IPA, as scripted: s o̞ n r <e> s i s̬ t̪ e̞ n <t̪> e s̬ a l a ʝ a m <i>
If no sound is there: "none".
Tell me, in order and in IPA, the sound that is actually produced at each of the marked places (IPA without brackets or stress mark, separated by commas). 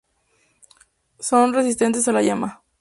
e, t̪, a